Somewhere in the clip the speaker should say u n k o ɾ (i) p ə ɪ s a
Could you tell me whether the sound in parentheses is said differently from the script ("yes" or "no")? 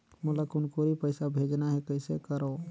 no